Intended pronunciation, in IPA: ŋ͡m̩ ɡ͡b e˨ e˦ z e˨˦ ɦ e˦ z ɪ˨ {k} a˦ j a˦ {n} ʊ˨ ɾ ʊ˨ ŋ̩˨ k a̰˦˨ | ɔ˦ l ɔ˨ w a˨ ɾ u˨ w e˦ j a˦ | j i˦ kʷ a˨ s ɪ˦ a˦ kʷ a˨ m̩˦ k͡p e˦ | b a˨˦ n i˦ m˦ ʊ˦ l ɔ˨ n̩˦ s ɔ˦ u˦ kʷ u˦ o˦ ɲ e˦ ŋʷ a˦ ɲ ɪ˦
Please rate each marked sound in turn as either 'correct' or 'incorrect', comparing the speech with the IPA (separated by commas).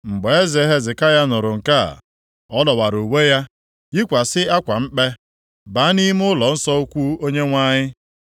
correct, correct